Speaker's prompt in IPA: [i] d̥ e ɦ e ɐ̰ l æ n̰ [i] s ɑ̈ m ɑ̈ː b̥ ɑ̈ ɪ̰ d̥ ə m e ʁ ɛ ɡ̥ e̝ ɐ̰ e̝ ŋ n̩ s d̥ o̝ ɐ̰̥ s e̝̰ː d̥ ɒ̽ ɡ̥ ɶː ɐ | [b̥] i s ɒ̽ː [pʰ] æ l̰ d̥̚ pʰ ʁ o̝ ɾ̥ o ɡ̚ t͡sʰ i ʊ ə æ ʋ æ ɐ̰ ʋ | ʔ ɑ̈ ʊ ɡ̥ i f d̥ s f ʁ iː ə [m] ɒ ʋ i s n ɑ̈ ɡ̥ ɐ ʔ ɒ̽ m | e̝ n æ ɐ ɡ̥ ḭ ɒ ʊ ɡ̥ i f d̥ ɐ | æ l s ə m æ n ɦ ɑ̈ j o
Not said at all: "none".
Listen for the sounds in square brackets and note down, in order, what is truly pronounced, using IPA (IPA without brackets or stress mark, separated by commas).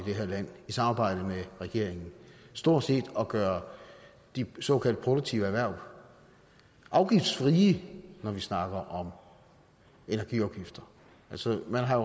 i, i, d̥, kʰ, n